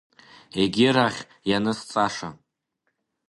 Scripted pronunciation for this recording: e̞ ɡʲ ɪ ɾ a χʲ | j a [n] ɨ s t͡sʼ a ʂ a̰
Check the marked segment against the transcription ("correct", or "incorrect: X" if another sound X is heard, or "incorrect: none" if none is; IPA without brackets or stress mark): correct